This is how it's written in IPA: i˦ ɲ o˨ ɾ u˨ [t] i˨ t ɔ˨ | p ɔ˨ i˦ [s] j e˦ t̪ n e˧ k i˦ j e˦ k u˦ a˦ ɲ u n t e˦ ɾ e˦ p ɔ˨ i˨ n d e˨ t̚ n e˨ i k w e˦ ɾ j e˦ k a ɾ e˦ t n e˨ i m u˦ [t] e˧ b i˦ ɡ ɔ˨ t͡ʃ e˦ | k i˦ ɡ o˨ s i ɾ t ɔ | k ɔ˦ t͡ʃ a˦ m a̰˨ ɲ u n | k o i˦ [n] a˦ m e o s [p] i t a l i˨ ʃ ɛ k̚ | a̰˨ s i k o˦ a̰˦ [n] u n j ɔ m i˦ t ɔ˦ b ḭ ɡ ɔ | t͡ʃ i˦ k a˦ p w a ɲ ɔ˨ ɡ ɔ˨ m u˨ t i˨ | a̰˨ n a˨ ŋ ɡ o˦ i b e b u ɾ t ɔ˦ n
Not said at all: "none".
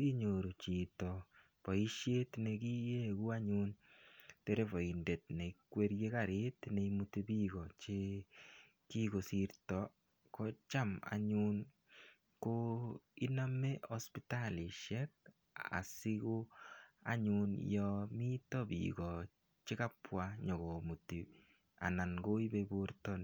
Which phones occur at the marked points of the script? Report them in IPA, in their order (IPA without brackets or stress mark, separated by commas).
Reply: t͡ʃ, ʃ, t, n, p, ɲ